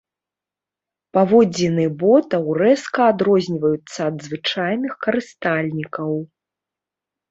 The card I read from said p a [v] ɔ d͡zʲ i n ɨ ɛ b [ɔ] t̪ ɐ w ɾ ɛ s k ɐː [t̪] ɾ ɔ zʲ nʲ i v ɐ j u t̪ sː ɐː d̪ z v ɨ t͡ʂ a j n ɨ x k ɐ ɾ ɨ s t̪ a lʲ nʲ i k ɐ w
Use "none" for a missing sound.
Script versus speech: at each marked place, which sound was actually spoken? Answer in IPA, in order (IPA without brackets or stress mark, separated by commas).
v, ɔ, d̪